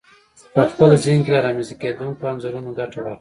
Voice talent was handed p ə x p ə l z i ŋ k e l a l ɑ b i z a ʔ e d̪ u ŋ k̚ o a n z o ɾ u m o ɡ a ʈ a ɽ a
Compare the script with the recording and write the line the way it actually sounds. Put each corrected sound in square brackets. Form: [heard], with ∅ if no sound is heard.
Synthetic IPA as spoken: p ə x p ə l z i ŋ k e l a [ɾ] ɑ [m] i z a [k] e d̪ u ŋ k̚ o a n z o ɾ u [n] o ɡ a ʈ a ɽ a